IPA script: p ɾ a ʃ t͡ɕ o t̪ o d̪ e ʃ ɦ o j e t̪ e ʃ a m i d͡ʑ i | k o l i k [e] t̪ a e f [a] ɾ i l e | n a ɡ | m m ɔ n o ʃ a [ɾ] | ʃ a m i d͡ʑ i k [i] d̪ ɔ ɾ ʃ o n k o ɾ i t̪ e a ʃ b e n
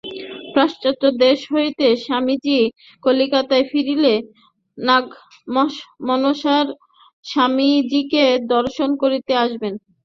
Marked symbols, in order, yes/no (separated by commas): no, no, yes, no